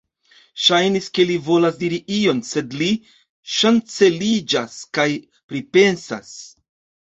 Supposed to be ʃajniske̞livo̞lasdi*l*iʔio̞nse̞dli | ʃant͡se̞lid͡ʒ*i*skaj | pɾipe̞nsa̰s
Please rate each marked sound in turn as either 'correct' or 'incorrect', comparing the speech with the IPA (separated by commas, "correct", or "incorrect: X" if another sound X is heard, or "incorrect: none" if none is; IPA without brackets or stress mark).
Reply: incorrect: ɾ, incorrect: a